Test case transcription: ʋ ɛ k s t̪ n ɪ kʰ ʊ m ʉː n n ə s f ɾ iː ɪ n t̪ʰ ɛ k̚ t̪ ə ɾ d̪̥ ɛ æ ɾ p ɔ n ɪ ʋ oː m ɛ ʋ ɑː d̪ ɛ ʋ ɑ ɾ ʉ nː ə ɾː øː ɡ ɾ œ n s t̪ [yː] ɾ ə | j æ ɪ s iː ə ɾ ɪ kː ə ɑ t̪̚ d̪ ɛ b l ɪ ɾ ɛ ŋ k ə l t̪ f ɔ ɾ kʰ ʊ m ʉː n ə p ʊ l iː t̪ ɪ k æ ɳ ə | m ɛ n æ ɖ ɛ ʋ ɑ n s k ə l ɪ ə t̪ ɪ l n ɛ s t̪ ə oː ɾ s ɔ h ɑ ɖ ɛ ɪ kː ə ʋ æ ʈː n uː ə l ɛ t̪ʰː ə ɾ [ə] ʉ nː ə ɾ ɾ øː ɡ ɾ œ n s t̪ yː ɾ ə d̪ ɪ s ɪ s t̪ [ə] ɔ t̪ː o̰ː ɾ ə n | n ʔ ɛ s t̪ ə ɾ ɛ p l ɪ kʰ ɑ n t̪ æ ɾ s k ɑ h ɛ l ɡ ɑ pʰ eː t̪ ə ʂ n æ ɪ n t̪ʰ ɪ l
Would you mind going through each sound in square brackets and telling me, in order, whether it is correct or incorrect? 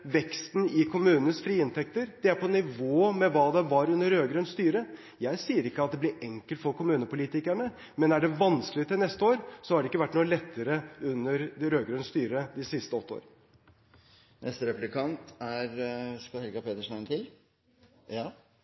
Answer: correct, correct, correct

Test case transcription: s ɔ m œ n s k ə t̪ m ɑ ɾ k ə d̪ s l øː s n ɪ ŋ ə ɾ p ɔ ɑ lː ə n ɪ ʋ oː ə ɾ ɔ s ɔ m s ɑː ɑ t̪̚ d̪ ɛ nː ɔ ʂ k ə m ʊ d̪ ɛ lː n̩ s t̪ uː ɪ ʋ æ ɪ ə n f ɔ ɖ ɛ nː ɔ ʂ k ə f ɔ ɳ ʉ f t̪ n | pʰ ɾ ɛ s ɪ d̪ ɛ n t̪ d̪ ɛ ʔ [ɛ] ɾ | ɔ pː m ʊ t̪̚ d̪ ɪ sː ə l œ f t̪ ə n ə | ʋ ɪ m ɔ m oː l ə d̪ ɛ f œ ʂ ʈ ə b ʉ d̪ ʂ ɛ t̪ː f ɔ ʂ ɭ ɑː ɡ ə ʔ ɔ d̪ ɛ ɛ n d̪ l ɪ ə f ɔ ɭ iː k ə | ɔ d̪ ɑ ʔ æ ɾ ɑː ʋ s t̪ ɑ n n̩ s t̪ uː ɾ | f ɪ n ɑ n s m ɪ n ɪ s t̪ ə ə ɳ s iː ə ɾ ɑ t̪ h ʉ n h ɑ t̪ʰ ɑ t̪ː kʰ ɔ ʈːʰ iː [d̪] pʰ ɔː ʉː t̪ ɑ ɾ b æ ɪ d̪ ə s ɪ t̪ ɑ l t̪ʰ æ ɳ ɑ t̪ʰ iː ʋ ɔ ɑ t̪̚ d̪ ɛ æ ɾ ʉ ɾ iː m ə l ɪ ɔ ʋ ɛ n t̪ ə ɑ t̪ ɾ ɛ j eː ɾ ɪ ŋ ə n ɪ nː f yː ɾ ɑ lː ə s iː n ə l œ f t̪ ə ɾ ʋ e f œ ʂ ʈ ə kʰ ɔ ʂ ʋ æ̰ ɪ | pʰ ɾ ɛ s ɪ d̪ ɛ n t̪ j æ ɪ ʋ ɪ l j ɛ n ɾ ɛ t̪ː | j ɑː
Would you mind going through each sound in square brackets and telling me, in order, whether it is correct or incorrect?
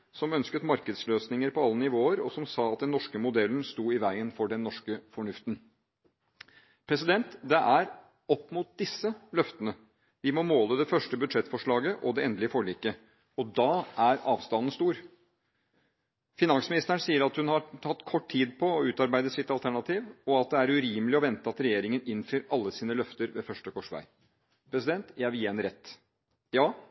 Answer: incorrect: æ, correct

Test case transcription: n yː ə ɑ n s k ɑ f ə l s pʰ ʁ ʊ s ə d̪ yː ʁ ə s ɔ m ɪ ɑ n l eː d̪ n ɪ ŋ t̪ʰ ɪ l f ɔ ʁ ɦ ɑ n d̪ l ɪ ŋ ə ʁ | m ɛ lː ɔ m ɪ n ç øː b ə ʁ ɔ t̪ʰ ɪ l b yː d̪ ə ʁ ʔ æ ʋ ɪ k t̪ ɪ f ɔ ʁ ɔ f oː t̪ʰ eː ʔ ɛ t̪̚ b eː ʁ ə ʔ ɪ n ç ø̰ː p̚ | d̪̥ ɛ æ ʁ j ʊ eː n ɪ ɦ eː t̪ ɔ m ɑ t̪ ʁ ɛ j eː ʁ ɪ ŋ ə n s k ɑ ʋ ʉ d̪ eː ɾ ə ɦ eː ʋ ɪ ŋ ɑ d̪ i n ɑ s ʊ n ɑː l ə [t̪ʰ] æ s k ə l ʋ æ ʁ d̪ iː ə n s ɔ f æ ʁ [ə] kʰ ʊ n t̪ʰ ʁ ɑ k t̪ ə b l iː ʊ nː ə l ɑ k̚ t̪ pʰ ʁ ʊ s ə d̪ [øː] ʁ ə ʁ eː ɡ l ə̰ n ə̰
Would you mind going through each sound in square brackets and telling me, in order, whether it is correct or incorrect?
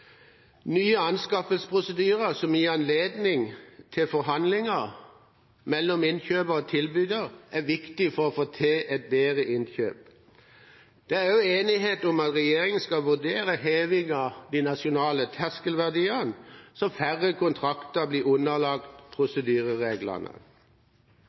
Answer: correct, correct, incorrect: yː

